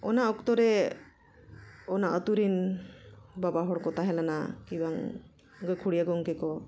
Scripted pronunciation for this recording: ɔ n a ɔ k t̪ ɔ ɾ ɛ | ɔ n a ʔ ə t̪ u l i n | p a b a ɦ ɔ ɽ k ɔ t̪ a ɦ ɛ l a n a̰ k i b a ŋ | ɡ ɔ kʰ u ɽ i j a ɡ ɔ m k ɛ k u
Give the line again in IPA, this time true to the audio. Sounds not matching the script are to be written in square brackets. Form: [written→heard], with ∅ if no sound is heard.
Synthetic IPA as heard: ɔ n a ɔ k t̪ ɔ ɾ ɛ | ɔ n a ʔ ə t̪ u [l→ɾ] i n | [p→b] a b a ɦ ɔ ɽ k ɔ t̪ a ɦ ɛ l a n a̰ k i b a ŋ | ɡ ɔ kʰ u ɽ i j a ɡ ɔ [m→ŋ] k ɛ k [u→ɔ]

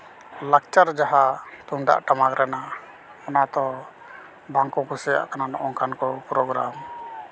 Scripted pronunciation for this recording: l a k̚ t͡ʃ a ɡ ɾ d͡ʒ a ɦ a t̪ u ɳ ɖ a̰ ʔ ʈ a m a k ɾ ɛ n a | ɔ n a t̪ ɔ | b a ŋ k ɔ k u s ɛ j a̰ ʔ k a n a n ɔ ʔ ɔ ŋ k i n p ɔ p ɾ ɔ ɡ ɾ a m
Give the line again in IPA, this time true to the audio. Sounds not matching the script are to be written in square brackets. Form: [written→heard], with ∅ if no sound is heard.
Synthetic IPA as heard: l a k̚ t͡ʃ a [ɡ→∅] ɾ d͡ʒ a ɦ a t̪ u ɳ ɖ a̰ ʔ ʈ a m a k ɾ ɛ n a | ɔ n a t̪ ɔ | b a ŋ k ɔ k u s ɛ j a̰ ʔ k a n a n ɔ ʔ ɔ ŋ k [i→a] n [p→k] ɔ p ɾ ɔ ɡ ɾ a m

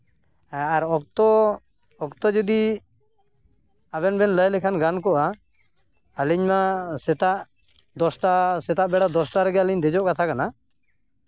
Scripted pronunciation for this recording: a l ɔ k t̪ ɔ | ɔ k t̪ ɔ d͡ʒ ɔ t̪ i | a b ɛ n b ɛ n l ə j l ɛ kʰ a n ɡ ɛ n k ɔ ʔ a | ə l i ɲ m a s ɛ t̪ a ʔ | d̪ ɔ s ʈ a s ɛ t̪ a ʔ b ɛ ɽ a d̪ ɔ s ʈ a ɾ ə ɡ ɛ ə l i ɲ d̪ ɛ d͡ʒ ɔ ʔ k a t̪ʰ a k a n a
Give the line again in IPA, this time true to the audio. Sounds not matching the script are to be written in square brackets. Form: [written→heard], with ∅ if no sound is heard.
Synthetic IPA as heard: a [l→ɾ] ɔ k t̪ ɔ | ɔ k t̪ ɔ d͡ʒ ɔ [t̪→d̪] i | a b ɛ n b ɛ n l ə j l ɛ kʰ a n ɡ [ɛ→a] n k ɔ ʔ a | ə l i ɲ m a s ɛ t̪ a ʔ | d̪ ɔ s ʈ a s ɛ t̪ a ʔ b ɛ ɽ a d̪ ɔ s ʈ a ɾ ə ɡ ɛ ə l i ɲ d̪ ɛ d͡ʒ ɔ ʔ k a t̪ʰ a k a n a

